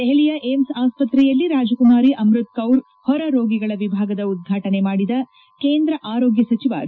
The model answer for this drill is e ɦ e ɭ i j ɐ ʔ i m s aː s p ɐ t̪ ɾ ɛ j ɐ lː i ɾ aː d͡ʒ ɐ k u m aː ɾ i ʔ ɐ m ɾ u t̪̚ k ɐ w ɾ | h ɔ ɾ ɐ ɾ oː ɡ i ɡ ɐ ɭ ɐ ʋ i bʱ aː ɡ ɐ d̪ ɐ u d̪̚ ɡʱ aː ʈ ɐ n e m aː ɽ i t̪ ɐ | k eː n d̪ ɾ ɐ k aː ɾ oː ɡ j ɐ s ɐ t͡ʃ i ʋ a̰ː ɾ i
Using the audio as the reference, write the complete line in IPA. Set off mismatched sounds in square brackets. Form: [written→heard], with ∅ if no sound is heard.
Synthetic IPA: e ɦ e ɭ i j ɐ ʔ [i→e] m s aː s p ɐ t̪ ɾ ɛ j ɐ lː i ɾ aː d͡ʒ ɐ k u m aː ɾ i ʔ ɐ m ɾ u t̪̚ k ɐ w ɾ | h ɔ ɾ ɐ ɾ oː ɡ i ɡ ɐ ɭ ɐ ʋ i bʱ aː ɡ ɐ d̪ ɐ u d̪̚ ɡʱ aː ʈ ɐ n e m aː ɽ i [t̪→d̪] ɐ | k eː n d̪ ɾ ɐ [k→ʔ] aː ɾ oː ɡ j ɐ s ɐ t͡ʃ i ʋ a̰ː ɾ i